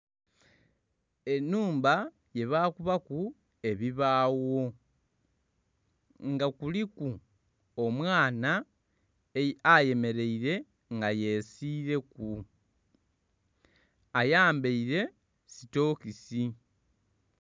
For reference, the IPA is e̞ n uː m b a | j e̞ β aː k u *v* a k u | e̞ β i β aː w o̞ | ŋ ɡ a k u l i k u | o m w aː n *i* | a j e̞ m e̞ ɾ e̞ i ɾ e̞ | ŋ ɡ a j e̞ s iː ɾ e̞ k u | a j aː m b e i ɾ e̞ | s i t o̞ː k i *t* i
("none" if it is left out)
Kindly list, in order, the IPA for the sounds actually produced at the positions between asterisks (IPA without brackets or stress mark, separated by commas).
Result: β, a, s